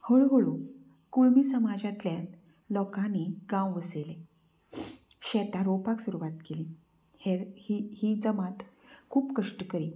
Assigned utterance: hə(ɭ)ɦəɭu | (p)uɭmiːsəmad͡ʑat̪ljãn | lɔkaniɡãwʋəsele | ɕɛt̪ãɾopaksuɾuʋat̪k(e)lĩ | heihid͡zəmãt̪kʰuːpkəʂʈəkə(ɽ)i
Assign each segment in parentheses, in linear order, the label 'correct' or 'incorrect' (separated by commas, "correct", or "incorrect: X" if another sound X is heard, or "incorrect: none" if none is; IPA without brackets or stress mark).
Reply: correct, incorrect: k, correct, incorrect: ɾ